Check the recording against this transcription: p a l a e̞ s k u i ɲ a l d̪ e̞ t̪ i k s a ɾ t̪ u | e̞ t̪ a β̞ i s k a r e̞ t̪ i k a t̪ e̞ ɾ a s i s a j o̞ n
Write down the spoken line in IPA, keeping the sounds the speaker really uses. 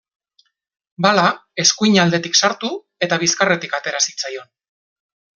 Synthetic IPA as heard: b a l a e̞ s k u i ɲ a l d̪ e̞ t̪ i k s a ɾ t̪ u | e̞ t̪ a β̞ i s k a r e̞ t̪ i k a t̪ e̞ ɾ a s i t͡s a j o̞ n